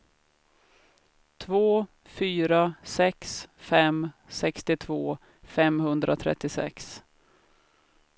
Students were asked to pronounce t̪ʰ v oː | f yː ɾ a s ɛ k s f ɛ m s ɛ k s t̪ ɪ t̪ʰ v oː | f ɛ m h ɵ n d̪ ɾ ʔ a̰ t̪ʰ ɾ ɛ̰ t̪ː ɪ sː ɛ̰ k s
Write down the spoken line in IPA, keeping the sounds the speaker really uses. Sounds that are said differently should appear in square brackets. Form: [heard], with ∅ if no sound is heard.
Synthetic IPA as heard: t̪ʰ v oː | f yː ɾ a s ɛ k s f ɛ m s ɛ k s t̪ ɪ t̪ʰ v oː | f ɛ m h ɵ n d̪ ɾ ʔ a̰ t̪ʰ ɾ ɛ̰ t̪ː ɪ [s] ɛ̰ k s